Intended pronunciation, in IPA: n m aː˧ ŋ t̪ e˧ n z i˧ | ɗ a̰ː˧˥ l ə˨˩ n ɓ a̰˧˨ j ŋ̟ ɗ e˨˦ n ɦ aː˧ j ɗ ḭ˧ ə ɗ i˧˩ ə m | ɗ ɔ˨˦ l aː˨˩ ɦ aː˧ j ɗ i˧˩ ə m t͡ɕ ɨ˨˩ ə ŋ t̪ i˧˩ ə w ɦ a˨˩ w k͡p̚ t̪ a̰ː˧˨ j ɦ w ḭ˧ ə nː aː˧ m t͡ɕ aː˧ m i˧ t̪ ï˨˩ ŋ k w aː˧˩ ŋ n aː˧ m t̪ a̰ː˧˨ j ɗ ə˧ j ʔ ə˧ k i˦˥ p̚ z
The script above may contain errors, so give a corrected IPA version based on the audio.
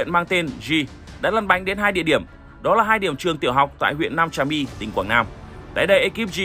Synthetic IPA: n m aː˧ ŋ t̪ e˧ n z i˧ | ɗ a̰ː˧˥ l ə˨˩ n ɓ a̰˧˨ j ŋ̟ ɗ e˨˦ n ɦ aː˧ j ɗ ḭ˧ ə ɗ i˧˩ ə m | ɗ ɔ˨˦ l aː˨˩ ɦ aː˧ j ɗ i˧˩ ə m t͡ɕ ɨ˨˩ ə ŋ t̪ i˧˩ ə w ɦ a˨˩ w k͡p̚ t̪ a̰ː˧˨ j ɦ w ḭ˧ ə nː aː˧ m t͡ɕ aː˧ m i˧ t̪ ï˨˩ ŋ k w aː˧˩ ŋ n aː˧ m t̪ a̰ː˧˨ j ɗ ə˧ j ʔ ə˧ k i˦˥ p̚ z